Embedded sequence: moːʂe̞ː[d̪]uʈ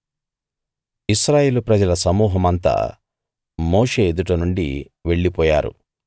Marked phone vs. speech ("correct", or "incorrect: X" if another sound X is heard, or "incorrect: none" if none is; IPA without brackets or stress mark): correct